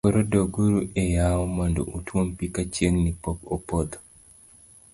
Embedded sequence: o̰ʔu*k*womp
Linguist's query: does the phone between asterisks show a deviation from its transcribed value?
yes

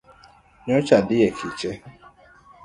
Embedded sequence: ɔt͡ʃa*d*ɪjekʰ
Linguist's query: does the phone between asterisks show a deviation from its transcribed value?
no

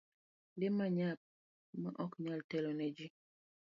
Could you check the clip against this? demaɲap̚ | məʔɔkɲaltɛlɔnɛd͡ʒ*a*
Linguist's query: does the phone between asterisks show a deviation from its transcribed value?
yes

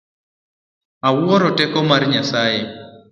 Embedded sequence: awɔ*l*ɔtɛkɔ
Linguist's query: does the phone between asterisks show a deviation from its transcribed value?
yes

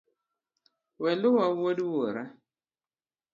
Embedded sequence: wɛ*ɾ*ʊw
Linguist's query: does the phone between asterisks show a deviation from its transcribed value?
yes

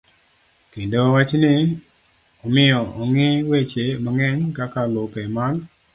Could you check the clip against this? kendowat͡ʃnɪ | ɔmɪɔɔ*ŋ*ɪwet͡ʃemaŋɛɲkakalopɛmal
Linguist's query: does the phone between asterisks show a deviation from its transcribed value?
no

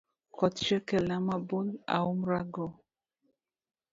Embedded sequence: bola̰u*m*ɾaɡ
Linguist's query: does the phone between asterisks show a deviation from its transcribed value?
no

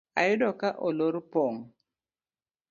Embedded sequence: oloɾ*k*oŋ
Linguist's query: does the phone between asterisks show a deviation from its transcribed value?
yes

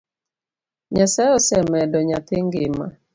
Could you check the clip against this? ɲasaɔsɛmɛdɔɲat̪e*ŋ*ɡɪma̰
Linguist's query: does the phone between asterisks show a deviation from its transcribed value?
no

